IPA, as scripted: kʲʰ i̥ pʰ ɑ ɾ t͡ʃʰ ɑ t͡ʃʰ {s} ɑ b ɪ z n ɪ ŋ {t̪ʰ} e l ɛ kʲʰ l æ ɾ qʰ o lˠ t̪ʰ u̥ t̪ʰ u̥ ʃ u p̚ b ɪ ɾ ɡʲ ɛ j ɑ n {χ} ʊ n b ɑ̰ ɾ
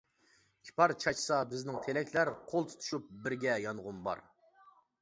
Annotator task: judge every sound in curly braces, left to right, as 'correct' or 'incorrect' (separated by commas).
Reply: correct, correct, incorrect